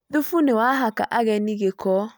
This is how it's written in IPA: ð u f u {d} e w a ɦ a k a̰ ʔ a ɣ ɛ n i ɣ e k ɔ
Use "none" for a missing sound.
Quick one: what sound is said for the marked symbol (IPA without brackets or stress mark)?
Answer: n